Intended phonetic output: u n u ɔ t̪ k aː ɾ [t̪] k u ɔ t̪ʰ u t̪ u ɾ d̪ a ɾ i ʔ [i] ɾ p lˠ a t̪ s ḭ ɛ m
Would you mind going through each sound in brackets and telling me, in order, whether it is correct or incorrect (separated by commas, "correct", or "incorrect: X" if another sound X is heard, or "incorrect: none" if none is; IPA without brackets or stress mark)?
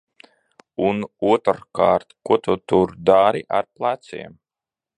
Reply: correct, incorrect: a